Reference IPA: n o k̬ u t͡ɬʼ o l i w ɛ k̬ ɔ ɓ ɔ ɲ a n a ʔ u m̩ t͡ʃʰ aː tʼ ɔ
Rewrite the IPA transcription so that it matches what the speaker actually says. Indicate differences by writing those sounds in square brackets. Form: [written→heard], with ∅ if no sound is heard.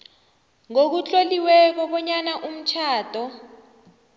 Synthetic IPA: [n→ŋ] o k̬ u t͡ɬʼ o l i w ɛ k̬ ɔ ɓ ɔ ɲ a n a ʔ u m̩ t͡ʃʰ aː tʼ ɔ